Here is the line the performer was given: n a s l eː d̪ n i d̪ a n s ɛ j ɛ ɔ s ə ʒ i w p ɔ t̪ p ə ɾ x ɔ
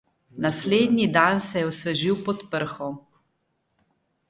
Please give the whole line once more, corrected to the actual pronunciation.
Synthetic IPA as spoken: n a s l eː d̪ n i d̪ a n s ɛ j ɛ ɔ s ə ʒ i w p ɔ t̪ p ə ɾ x ɔ